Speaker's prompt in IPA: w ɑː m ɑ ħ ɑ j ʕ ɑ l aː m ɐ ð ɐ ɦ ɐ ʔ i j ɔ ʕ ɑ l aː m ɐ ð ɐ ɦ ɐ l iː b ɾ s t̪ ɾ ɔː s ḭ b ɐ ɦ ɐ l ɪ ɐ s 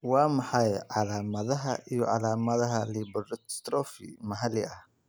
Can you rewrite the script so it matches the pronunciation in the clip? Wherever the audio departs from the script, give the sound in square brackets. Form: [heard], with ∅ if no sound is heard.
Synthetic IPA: w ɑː m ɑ ħ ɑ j ʕ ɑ l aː m ɐ ð ɐ ɦ ɐ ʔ i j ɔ ʕ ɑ l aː m ɐ ð ɐ ɦ ɐ l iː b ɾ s t̪ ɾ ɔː [f] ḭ [m] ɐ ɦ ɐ l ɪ ɐ [h]